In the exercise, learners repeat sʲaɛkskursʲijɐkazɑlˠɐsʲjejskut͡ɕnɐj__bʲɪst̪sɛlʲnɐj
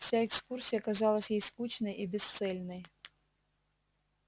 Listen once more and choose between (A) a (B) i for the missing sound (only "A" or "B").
B